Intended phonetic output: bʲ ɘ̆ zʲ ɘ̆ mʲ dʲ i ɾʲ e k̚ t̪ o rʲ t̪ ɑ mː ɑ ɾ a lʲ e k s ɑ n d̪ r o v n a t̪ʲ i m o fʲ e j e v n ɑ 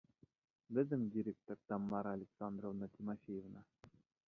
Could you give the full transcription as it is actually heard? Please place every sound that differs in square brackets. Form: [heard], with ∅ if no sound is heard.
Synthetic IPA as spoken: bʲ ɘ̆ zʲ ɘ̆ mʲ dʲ i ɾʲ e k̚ t̪ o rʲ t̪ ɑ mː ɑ ɾ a lʲ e k s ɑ n d̪ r o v n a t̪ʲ i m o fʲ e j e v n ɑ